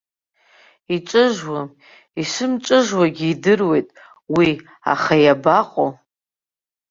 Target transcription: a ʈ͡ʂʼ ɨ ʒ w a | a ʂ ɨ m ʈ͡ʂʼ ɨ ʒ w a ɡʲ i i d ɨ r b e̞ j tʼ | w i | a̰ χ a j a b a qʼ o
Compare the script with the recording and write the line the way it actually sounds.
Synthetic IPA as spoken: i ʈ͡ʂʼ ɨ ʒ w a | i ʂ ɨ m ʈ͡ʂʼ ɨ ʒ w a ɡʲ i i d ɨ r w e̞ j tʼ | w i | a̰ χ a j a b a qʼ o